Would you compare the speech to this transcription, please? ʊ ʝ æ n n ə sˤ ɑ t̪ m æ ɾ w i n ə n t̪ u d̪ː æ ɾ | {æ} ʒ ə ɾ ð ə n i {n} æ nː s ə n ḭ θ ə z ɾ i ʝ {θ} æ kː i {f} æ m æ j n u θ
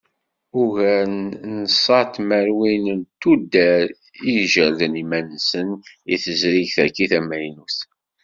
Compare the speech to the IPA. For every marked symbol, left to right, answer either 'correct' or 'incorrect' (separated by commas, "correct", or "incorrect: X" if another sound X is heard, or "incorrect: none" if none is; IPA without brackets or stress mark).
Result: incorrect: i, incorrect: m, correct, incorrect: θ